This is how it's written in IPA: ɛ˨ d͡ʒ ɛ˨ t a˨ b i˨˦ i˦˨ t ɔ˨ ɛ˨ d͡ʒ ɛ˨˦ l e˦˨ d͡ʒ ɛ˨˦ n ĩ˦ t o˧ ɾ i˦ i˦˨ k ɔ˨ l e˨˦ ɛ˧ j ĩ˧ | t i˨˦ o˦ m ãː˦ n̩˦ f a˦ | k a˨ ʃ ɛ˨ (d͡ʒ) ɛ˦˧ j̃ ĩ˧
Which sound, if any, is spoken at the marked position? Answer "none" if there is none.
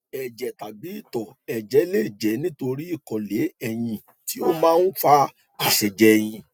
d͡ʒ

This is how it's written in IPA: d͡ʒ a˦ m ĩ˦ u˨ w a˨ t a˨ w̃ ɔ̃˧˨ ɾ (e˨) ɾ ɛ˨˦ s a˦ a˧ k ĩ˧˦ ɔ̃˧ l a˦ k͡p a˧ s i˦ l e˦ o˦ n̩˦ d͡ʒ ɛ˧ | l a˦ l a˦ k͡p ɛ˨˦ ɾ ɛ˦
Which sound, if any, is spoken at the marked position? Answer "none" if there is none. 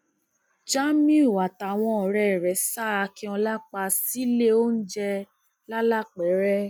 ɛ˨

